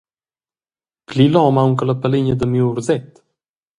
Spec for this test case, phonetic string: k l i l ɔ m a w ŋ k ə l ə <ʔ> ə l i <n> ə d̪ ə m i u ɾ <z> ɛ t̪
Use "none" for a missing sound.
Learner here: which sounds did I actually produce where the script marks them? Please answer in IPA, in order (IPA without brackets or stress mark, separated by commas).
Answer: p, ɲ, z